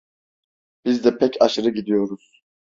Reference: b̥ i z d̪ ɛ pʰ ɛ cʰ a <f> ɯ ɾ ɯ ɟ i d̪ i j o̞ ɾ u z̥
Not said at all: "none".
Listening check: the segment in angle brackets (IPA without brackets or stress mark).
ʃ